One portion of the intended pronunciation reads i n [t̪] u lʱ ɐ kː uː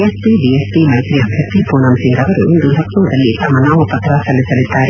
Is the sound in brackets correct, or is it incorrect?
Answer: incorrect